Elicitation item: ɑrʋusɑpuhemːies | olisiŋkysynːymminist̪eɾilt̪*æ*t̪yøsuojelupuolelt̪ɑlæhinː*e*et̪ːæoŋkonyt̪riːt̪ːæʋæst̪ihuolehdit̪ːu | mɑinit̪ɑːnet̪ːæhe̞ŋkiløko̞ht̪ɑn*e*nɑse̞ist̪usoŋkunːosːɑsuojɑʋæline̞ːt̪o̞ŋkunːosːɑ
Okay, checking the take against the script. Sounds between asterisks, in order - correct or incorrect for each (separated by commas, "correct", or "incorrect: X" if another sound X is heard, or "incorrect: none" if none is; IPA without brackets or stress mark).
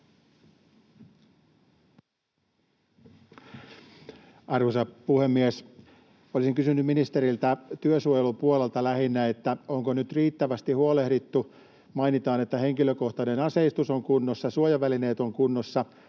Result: correct, incorrect: æ, correct